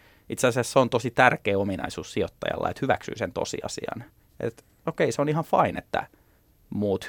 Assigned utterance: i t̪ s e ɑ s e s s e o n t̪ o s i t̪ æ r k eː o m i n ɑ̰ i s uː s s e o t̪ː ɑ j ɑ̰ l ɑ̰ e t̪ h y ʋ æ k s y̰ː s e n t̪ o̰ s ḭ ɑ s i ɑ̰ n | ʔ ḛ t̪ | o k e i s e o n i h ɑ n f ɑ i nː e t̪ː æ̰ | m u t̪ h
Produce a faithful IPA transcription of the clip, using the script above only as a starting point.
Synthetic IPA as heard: i t̪ s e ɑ s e s s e o n t̪ o s i t̪ æ r k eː o m i n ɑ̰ i s uː s s i o t̪ː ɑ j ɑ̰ lː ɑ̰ e t̪ h y ʋ æ k s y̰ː s e n t̪ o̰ s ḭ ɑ s i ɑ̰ n | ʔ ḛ t̪ | o k e i s e o n i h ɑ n f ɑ i n e t̪ː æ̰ | m uː t̪ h